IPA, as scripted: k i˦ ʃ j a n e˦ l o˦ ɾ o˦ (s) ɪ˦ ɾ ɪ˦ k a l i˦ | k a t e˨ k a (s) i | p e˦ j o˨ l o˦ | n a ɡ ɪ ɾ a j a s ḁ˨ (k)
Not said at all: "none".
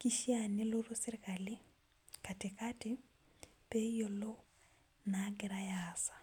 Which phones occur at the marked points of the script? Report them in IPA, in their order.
s, t, none

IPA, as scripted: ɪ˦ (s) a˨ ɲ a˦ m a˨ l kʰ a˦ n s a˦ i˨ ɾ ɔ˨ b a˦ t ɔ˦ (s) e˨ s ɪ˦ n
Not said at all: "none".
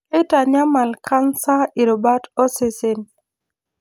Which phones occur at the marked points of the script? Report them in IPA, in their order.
t, s

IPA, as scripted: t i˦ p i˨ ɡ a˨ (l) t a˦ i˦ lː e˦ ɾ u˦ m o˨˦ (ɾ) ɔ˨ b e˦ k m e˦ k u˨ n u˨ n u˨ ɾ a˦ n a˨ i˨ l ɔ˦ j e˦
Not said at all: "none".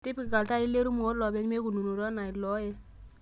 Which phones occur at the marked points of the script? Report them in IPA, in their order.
l, l

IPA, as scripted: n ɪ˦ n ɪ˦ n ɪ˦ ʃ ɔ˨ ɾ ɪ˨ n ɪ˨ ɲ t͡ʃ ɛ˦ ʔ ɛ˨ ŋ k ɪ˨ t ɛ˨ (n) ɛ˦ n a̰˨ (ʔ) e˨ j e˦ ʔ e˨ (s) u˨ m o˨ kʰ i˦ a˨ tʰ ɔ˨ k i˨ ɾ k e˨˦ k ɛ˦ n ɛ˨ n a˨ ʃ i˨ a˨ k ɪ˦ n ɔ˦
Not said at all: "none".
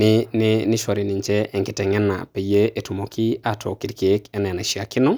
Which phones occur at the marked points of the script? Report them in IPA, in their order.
ŋ, p, t

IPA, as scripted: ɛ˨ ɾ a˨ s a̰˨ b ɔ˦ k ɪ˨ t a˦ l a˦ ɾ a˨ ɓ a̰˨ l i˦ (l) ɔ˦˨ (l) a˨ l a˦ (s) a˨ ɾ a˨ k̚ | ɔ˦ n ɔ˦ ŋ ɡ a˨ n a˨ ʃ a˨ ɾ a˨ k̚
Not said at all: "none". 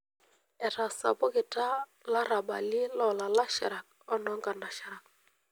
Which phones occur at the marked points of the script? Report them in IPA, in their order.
l, l, ʃ

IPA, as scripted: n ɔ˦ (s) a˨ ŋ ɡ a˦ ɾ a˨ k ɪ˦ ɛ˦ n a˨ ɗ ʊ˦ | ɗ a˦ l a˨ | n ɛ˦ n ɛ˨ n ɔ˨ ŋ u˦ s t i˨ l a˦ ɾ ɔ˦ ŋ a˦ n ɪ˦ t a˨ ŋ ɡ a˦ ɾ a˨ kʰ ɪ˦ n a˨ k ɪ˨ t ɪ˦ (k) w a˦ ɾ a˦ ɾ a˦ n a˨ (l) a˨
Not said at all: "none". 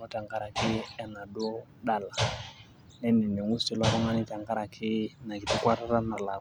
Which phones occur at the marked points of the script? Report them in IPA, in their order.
t, k, l

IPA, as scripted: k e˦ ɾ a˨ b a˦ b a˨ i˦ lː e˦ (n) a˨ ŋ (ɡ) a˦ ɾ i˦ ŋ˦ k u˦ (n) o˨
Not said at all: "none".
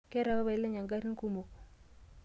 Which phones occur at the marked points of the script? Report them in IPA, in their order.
ɲ, ɡ, m

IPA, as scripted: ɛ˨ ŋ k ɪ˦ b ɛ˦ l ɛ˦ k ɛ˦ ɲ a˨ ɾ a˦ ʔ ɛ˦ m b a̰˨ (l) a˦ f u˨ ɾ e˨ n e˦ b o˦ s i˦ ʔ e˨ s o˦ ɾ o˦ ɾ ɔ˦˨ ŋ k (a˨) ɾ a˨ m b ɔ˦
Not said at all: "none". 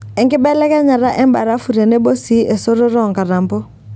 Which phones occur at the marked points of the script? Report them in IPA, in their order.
ɾ, a˨

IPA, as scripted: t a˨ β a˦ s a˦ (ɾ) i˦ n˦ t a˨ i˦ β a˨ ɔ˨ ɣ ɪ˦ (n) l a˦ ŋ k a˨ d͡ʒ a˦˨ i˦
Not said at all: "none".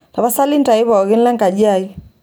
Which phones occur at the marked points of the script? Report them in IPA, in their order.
l, n

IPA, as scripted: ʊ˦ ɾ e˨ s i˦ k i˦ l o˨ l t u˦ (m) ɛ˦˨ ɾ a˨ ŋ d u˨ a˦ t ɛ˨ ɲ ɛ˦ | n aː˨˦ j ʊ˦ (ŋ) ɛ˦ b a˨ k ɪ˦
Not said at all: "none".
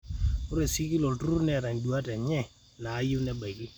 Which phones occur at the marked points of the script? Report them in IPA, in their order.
n, n

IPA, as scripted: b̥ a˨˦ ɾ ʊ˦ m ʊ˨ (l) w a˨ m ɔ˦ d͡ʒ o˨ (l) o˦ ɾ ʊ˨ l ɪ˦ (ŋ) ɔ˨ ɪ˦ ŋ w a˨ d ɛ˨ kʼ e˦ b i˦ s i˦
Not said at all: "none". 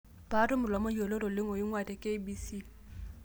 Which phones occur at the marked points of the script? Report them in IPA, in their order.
l, l, ŋ

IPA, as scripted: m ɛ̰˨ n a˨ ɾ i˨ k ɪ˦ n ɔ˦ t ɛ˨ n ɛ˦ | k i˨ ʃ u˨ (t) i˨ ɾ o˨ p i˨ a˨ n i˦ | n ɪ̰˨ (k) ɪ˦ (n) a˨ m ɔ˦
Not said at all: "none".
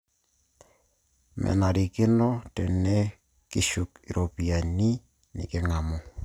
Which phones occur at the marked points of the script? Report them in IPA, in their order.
k, k, ŋ

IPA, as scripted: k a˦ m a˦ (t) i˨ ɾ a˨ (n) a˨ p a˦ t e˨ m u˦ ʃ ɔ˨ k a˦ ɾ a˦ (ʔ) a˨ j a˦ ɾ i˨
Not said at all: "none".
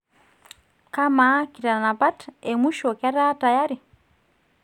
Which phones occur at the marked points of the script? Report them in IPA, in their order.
k, n, t

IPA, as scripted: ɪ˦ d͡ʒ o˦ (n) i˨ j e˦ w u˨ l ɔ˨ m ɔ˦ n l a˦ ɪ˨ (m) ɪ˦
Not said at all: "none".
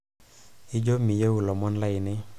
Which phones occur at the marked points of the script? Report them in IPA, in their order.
m, n

